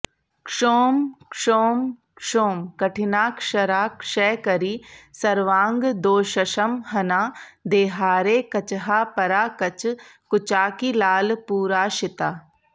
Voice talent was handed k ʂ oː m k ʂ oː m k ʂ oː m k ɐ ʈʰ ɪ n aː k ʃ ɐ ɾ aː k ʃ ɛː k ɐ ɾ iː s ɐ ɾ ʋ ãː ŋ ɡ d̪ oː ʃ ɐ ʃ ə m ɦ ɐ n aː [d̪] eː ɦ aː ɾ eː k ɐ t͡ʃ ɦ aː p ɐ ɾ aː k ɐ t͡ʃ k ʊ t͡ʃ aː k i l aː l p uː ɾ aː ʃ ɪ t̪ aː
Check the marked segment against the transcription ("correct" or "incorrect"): correct